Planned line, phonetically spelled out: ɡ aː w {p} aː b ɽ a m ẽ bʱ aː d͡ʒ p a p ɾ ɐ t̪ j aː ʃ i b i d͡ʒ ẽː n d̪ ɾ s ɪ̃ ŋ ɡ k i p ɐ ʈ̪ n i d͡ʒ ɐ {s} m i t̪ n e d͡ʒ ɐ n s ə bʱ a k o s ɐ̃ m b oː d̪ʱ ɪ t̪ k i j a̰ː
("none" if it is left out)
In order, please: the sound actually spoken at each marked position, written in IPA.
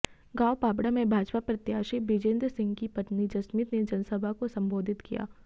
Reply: p, s

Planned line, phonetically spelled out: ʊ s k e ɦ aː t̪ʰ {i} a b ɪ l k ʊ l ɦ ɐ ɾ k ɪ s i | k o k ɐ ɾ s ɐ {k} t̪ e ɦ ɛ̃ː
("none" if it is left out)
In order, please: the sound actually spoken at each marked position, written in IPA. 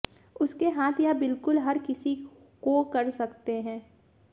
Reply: j, k

